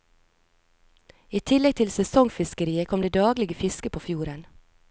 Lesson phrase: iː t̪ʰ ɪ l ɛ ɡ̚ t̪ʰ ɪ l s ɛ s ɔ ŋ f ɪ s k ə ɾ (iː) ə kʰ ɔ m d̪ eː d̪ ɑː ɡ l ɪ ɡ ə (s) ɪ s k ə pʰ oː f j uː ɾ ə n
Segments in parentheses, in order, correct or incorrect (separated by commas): correct, incorrect